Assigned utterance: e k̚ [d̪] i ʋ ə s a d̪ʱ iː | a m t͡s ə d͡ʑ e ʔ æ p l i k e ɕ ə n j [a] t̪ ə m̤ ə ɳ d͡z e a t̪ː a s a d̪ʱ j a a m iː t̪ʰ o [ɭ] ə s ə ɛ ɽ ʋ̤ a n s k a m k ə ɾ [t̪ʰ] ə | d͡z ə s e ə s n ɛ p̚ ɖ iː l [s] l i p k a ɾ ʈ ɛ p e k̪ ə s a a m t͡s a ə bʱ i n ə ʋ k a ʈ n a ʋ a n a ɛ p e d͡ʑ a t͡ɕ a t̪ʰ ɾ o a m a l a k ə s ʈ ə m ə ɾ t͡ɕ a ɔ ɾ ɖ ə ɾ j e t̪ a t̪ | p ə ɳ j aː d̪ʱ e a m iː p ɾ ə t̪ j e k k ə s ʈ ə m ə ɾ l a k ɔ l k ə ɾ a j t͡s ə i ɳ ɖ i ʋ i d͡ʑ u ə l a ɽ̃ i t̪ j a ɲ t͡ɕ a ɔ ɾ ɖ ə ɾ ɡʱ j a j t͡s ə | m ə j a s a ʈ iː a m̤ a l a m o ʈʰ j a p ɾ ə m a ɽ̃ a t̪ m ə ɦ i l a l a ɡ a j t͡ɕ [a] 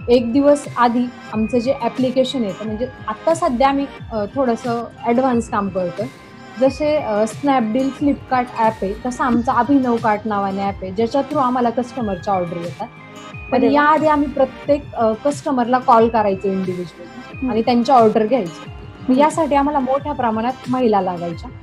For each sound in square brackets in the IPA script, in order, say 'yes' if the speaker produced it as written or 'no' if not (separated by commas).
yes, no, no, no, no, yes